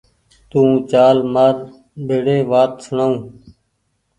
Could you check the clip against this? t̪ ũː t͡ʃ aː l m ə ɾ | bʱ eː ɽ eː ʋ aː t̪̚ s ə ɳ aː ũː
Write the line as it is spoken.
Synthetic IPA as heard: t̪ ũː t͡ʃ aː l m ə ɾ | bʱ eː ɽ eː ʋ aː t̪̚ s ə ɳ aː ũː